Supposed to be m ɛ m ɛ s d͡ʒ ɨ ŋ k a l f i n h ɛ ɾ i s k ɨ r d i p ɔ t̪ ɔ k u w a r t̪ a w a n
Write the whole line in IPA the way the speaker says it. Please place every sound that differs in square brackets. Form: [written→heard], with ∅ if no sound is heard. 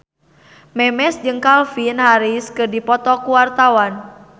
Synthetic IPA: m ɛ m ɛ s d͡ʒ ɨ ŋ k a l f i n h [ɛ→a] ɾ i s k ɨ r d i p ɔ t̪ ɔ k u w a r t̪ a w a n